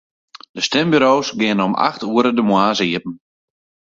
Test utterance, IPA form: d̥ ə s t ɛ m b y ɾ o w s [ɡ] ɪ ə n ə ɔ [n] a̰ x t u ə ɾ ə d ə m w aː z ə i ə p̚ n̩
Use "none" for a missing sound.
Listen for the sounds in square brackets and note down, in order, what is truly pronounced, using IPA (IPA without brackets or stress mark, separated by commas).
ɡ, m